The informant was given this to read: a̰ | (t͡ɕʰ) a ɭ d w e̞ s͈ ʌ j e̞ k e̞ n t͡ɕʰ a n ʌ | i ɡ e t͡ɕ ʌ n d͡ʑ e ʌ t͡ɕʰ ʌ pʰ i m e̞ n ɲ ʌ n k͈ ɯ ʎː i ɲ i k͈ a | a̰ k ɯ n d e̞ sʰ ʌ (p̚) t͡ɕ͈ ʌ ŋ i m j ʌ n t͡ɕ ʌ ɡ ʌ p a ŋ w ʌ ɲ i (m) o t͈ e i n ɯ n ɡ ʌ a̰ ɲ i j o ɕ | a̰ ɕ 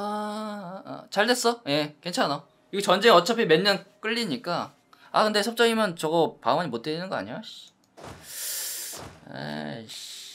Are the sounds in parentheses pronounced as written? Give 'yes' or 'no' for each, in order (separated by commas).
no, yes, yes